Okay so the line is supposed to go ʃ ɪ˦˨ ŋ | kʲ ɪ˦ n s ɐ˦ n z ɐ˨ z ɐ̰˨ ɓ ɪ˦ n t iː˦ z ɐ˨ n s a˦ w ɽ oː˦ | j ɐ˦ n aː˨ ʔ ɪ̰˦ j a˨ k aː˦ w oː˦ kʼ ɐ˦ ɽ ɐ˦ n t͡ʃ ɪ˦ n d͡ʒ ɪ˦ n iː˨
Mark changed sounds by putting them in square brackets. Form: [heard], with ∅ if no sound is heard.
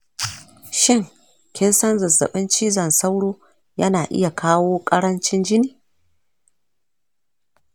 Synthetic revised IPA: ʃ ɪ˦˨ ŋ | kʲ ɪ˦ n s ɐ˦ n z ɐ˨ z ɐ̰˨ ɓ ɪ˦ n [t͡ʃ] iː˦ z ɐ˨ n s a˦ w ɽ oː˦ | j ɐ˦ n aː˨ ʔ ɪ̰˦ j a˨ k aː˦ w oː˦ kʼ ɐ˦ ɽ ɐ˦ n t͡ʃ ɪ˦ n d͡ʒ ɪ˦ n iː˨